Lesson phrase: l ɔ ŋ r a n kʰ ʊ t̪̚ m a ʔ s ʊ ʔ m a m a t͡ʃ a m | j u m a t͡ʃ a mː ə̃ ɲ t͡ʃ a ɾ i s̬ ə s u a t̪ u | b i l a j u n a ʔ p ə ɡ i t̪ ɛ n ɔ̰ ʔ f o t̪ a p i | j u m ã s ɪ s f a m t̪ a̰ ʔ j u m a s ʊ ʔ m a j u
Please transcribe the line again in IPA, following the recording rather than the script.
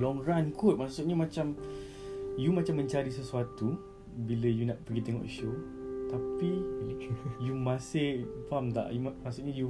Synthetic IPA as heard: l ɔ ŋ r a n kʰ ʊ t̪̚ m a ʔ s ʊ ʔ ɲ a m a t͡ʃ a m | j u m a t͡ʃ a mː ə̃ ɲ t͡ʃ a ɾ i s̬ ə s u a t̪ u | b i l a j u n a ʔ p ə ɡ i t̪ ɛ ŋ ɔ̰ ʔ ʃ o t̪ a p i | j u m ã s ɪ h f a m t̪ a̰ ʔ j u m a s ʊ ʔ ɲ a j u